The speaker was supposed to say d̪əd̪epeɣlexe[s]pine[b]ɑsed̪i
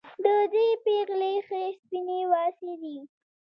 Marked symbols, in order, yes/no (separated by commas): yes, no